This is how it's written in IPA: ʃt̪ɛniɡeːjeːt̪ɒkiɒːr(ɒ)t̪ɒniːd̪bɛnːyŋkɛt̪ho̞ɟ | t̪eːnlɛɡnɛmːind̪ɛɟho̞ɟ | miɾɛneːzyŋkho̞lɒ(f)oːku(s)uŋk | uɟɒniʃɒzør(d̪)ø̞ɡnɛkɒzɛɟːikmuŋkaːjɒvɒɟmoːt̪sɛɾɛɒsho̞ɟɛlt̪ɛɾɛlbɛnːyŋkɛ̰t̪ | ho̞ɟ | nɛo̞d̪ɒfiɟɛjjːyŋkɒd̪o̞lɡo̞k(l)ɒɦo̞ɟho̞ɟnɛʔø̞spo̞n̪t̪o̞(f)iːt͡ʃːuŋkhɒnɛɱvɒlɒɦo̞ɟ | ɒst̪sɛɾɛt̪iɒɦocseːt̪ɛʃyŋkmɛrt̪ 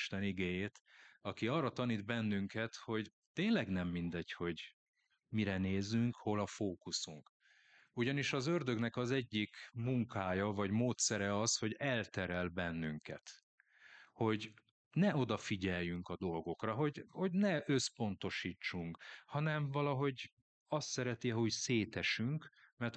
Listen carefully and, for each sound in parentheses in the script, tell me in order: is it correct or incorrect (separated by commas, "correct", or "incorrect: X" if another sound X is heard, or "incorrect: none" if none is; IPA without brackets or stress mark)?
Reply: correct, correct, correct, correct, incorrect: r, incorrect: ʃ